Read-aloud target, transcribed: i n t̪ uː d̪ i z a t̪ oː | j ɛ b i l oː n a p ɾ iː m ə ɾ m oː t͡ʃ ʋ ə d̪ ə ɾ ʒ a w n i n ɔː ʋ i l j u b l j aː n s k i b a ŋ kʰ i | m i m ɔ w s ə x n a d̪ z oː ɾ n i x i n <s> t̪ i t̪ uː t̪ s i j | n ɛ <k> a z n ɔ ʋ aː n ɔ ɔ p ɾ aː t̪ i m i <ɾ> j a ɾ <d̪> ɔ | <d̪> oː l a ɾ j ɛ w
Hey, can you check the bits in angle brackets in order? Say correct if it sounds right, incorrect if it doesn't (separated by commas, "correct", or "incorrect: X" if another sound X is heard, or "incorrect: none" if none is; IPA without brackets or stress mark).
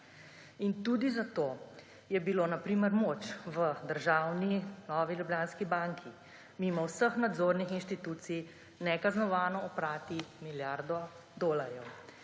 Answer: incorrect: ʃ, correct, incorrect: l, correct, correct